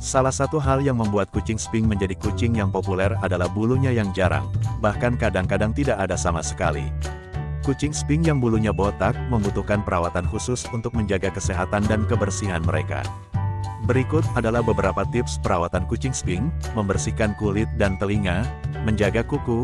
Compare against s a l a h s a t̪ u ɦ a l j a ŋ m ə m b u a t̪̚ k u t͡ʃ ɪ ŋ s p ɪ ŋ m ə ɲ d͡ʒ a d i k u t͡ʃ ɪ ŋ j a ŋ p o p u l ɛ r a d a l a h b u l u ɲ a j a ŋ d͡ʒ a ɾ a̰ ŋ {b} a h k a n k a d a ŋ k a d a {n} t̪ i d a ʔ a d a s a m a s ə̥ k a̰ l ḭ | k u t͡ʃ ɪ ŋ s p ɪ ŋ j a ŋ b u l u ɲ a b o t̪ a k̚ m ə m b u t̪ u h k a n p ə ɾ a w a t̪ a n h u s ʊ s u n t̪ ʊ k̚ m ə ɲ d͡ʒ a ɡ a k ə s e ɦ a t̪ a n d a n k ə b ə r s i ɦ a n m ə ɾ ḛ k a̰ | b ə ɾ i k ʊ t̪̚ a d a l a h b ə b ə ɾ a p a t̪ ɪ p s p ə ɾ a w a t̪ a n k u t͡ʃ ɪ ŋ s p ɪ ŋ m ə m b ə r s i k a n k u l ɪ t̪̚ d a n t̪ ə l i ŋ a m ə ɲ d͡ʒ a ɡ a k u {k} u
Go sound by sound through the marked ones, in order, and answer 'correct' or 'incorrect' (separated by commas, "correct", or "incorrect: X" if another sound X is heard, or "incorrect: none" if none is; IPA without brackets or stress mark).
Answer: correct, incorrect: ŋ, correct